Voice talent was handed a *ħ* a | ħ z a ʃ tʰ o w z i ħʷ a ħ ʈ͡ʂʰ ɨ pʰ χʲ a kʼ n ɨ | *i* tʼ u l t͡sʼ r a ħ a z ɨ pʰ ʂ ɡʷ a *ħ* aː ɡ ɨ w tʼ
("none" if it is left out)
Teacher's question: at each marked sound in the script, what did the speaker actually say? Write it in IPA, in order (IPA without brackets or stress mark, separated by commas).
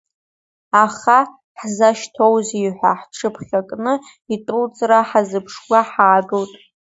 χ, i, ħ